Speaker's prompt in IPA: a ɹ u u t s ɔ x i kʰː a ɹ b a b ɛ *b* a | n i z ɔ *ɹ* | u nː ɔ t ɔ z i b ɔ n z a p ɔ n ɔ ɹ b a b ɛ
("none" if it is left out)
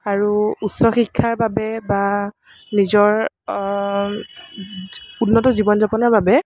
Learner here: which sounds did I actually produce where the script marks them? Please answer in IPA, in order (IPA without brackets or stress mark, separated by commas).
b, ɹ